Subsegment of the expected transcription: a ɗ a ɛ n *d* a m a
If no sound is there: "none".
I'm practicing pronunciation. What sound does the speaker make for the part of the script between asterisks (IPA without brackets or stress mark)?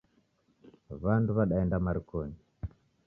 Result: d